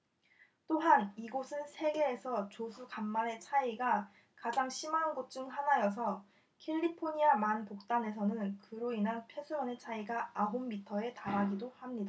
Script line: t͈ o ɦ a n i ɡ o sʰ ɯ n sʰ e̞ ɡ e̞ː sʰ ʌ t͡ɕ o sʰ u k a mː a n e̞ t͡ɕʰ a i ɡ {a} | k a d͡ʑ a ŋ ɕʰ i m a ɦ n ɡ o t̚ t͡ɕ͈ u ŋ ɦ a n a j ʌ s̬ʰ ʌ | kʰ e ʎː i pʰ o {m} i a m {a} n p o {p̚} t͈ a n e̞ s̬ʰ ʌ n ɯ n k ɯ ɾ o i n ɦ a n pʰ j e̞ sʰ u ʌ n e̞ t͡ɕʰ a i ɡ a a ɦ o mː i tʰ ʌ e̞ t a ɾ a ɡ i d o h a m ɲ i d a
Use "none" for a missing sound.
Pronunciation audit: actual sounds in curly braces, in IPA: a, ɲ, a, k̚

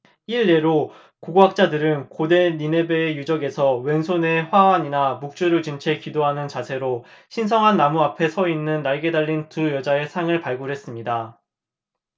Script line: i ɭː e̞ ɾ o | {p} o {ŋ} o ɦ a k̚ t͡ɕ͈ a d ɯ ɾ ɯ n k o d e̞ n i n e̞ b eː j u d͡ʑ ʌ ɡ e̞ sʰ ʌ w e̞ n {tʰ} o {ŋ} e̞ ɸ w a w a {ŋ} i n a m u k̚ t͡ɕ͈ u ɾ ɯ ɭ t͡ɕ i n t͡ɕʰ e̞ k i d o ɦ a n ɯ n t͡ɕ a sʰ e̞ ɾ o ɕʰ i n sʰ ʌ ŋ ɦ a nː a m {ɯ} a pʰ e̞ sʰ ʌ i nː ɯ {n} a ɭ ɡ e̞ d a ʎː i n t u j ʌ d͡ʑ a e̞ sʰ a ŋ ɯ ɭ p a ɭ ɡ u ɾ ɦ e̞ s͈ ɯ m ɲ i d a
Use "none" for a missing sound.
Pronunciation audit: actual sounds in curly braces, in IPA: k, ɡ, sʰ, n, ɲ, u, nː

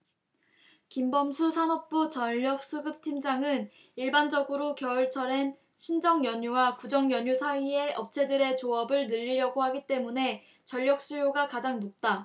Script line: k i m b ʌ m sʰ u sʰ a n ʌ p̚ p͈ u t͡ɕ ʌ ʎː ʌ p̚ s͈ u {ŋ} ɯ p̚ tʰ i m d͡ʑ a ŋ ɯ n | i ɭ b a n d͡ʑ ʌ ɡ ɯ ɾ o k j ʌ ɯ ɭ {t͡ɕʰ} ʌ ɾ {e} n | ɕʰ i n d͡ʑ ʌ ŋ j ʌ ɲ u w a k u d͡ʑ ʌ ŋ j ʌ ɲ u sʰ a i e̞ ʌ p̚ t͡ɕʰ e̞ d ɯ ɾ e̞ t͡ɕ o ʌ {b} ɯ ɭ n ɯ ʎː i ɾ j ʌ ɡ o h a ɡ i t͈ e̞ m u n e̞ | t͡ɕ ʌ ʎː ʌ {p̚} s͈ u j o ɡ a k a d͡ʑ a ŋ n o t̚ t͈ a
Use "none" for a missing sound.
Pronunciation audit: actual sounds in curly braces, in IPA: ɡ, t͡ɕʰ, e, b, k̚

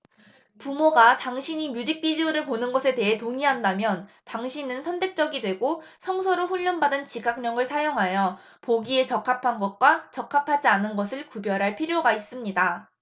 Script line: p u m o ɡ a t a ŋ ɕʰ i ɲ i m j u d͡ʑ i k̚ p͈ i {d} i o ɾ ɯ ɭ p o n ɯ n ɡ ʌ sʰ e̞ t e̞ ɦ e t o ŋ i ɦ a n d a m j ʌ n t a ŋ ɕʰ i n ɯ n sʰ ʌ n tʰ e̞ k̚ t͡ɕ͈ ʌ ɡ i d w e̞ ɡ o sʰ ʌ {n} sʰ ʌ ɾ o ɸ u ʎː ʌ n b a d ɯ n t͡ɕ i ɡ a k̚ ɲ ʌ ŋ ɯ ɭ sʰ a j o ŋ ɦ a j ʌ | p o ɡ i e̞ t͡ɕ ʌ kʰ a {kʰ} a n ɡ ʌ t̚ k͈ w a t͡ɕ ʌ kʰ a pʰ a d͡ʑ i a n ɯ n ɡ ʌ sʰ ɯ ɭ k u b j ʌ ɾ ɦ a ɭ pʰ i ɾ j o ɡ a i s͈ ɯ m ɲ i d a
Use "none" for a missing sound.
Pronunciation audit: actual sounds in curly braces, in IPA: d͡ʑ, ŋ, pʰ

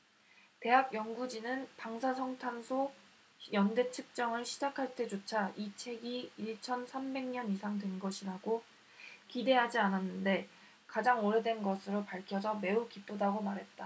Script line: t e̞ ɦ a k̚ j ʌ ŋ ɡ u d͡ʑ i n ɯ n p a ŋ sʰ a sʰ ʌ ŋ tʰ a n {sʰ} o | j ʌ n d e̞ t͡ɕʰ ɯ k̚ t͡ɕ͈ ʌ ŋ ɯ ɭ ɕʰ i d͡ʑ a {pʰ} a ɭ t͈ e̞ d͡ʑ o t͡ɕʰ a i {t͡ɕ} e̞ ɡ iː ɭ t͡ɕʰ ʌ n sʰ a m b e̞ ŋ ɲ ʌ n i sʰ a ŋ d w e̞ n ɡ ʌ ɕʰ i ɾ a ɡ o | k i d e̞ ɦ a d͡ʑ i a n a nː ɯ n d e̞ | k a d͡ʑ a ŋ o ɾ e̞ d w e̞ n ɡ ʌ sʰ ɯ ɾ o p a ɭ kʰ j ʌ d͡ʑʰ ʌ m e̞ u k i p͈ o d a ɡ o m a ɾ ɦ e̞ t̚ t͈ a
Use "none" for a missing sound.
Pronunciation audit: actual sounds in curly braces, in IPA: sʰ, kʰ, t͡ɕʰ

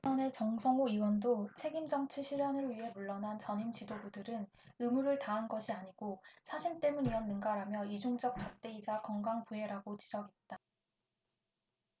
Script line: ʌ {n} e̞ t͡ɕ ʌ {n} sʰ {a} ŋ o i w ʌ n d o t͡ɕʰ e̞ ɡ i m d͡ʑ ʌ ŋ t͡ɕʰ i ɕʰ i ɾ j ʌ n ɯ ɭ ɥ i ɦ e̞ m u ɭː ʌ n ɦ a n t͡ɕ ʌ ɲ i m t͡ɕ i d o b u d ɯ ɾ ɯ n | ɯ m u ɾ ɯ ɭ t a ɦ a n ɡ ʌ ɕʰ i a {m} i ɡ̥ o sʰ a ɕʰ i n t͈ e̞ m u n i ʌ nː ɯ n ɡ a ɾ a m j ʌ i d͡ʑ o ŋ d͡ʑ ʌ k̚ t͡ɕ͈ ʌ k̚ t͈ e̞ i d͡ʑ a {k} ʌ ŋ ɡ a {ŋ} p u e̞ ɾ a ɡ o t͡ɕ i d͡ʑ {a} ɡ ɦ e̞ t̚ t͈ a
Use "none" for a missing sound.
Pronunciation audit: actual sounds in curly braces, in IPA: n, ŋ, ʌ, ɲ, k, ŋ, ʌ

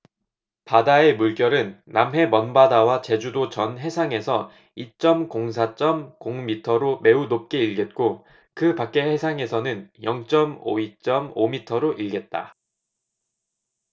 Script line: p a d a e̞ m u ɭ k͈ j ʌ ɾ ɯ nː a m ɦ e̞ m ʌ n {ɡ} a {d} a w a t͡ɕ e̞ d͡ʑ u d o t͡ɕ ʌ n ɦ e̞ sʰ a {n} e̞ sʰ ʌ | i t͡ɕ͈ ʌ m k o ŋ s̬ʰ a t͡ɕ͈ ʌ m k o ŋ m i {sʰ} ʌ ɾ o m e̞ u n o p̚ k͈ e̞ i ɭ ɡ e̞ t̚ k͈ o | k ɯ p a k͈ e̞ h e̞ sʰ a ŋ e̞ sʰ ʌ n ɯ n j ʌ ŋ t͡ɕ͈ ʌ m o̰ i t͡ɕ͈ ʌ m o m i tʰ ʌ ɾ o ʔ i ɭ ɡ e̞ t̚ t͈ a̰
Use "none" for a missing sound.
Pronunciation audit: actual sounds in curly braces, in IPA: b, d, ŋ, tʰ

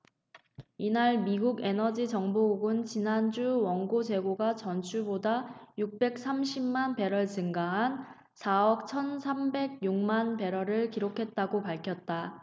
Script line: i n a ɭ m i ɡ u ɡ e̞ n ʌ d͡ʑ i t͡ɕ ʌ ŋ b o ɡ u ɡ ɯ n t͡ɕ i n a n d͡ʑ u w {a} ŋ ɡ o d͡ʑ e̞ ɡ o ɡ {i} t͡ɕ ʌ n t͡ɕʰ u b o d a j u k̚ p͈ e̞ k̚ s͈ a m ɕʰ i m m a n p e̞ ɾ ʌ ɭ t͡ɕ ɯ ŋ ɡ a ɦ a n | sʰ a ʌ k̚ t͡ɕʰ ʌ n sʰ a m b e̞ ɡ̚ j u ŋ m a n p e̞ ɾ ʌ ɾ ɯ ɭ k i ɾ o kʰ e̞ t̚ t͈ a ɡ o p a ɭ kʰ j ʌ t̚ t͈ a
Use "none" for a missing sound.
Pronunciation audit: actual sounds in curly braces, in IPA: ʌ, a

